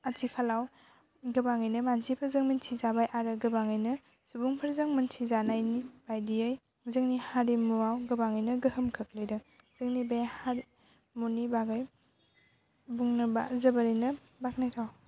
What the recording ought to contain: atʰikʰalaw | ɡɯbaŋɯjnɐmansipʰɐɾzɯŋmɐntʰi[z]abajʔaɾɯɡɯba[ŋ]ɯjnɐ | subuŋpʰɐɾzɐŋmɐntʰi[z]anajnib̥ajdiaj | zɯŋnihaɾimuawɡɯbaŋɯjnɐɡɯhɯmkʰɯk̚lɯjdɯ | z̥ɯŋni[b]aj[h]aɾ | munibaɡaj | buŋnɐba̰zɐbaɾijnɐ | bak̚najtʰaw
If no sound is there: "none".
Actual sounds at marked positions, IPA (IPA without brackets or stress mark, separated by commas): z, ŋ, z, b, h